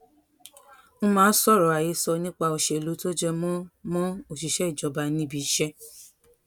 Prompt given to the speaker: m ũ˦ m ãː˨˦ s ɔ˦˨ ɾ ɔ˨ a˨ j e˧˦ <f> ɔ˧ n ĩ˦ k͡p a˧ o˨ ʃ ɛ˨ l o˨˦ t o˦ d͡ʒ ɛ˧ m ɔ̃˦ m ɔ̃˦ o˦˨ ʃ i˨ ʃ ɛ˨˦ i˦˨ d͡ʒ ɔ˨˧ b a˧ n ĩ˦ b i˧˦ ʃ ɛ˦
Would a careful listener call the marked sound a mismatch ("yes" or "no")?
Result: yes